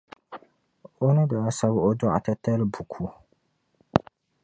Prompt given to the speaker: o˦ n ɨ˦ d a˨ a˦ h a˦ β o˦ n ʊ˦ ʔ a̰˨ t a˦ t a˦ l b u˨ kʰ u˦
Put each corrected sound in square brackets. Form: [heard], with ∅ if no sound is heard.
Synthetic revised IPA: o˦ n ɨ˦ d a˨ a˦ [s] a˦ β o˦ [d] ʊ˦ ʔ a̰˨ t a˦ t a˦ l b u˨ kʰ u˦